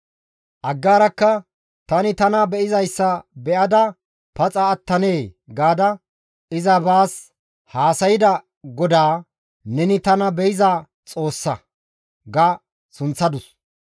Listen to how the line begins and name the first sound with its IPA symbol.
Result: ʔ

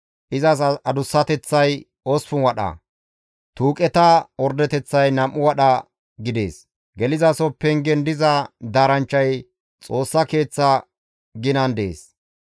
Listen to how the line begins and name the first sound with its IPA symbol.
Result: ʔ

